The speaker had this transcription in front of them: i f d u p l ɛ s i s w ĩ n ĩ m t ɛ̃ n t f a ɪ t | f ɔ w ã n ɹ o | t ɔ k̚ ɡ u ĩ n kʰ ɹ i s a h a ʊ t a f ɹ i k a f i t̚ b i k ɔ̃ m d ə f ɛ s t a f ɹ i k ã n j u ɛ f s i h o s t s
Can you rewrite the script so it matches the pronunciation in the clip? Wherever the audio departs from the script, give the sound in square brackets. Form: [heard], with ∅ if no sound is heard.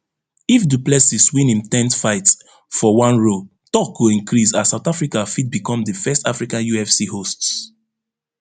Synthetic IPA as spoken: i f d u p l ɛ s i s w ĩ n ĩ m t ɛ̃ n t f a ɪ t | f ɔ w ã n ɹ o | t ɔ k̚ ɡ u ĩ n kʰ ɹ i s a [s] a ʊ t a f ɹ i k a f i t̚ b i k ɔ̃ m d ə f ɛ s t a f ɹ i k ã n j u ɛ f s i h o s t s

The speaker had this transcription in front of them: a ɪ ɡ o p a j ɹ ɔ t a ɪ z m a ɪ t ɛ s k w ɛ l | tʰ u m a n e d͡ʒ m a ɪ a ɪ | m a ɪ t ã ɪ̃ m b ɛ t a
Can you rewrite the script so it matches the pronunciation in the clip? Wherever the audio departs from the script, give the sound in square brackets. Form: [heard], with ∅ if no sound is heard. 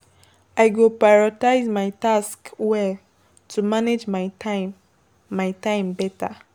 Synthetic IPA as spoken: a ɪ ɡ o p a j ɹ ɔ t a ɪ z m a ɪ t [a] s k w ɛ l | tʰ u m a n e d͡ʒ m a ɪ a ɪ | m a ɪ t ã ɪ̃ m b ɛ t a

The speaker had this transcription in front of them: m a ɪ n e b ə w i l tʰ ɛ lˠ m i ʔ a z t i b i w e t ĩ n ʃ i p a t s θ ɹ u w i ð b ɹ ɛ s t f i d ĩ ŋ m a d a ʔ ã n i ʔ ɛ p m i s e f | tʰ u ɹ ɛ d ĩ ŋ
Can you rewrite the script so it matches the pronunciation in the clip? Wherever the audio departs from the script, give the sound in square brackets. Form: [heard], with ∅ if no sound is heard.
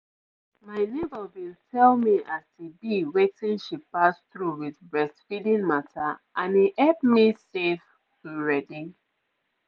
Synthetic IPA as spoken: m a ɪ n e b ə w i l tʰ ɛ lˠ m i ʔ a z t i b i w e t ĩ n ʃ i p a [∅] s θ ɹ u w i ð b ɹ ɛ s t f i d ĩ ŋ m a [t] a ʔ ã n i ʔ ɛ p m i s e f | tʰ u ɹ ɛ d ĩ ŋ

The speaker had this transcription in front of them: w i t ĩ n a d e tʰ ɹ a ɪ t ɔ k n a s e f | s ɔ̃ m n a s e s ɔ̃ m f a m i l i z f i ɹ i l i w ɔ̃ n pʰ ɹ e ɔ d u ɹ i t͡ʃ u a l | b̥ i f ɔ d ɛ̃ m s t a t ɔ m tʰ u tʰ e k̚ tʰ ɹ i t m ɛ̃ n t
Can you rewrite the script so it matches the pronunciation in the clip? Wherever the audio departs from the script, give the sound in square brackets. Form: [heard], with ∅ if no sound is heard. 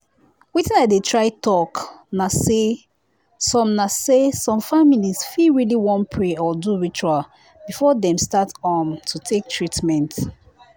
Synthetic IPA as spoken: w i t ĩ n a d e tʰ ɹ a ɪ t ɔ k n a s e [∅] | s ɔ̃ m n a s e s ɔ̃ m f a m i l i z f i ɹ i l i w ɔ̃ n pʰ ɹ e ɔ d u ɹ i t͡ʃ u a l | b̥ i f ɔ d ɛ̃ m s t a t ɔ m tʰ u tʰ e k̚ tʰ ɹ i t m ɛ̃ n t

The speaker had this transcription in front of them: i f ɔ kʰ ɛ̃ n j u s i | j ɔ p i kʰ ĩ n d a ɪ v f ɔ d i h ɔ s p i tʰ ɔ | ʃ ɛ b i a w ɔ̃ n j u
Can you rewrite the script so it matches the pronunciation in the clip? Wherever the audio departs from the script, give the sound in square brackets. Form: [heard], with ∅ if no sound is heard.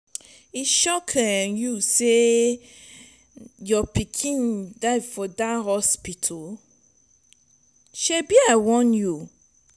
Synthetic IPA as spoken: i [ʃ] ɔ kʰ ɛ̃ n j u s [e] | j ɔ p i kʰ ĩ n d a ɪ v f ɔ d [a] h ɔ s p i tʰ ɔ | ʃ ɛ b i a w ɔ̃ n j u

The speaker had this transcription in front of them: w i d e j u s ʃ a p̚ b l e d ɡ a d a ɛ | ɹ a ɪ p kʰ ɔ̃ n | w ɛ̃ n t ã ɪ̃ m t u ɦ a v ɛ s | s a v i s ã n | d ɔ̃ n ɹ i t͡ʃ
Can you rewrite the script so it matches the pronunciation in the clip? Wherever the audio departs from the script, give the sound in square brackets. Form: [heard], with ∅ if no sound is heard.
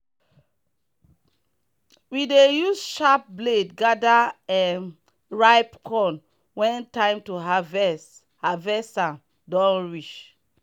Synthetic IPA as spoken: w i d e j u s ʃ a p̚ b l e d ɡ a d a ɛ | ɹ a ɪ p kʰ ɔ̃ n | w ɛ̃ n t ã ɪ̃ m t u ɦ a v ɛ s | [h] a v [ɛ] s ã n | d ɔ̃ n ɹ i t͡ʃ

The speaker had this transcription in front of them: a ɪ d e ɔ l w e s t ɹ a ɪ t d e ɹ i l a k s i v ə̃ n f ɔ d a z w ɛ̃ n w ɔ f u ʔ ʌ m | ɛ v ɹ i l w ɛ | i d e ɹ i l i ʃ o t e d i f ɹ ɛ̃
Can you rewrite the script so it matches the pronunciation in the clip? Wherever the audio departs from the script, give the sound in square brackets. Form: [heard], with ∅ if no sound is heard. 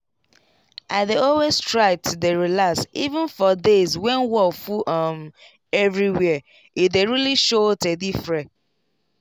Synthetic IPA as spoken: a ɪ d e ɔ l w e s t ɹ a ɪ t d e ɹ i l a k s i v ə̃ n f ɔ d [e] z w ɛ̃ n w ɔ f u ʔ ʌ m | ɛ v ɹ i [∅] w ɛ | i d e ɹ i l i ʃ o t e d i f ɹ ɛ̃

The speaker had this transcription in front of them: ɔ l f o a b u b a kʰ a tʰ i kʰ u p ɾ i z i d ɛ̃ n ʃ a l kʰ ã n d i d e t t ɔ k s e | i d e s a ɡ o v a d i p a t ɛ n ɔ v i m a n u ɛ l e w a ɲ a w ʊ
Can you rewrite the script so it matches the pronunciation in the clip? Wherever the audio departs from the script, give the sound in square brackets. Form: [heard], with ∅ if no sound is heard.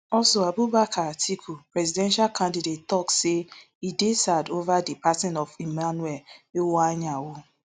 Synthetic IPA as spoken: ɔ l [s] o a b u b a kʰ a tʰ i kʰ u p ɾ [ɛ] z i d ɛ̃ n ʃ a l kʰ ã n d i d e t t ɔ k s e | i d e s a [d] o v a d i p a t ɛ n ɔ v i m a n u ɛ l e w a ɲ a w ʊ

